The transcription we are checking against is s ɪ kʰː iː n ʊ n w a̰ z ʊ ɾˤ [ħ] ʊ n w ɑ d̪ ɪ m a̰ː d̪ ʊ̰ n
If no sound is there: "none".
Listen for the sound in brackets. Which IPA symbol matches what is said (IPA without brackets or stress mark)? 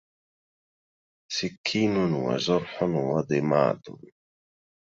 ħ